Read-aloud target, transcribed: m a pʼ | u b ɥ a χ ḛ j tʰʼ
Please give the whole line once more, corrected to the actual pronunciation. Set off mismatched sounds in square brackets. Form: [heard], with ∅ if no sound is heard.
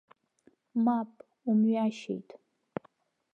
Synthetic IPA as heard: m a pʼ | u [m] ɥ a [ʃ] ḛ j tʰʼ